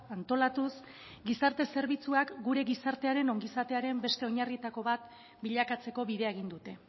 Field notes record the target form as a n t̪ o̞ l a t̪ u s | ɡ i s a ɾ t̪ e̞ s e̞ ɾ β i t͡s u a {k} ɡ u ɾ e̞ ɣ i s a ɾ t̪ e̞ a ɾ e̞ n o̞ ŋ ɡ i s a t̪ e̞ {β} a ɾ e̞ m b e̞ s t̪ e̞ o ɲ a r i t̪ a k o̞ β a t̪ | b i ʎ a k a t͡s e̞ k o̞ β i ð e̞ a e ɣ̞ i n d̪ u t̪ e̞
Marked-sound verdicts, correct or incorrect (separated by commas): correct, incorrect